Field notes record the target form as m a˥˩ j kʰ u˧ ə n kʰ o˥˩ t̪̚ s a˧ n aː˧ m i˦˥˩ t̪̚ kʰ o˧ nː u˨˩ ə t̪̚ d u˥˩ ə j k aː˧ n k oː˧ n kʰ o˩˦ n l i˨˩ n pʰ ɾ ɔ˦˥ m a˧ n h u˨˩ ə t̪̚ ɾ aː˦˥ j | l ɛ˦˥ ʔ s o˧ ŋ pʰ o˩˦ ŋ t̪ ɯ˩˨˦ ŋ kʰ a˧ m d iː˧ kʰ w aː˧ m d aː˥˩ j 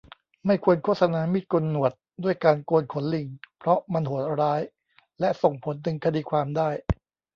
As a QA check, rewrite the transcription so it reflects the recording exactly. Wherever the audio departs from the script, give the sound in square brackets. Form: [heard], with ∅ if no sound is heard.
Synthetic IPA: m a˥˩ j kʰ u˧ ə n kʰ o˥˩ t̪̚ s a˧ n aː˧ m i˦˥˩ t̪̚ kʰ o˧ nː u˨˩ ə t̪̚ d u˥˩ ə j k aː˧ n k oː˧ n kʰ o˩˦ n l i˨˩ [ŋ] pʰ ɾ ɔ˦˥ m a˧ n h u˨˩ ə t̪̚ ɾ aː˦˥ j | l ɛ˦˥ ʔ s [o˨˩] ŋ pʰ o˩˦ [n] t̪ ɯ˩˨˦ ŋ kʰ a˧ [∅] d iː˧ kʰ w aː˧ m d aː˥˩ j